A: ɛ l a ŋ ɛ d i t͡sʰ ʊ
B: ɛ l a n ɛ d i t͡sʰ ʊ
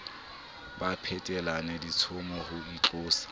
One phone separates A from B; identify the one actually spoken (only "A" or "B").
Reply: B